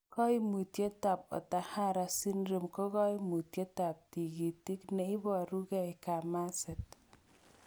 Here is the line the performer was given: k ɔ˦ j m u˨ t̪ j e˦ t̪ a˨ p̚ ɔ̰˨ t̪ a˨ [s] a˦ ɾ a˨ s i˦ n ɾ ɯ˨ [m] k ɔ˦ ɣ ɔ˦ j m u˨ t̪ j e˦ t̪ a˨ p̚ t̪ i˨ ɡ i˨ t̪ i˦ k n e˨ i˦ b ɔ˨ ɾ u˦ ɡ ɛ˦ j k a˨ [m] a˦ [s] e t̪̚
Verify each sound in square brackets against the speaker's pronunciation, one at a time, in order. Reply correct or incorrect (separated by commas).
incorrect, correct, correct, correct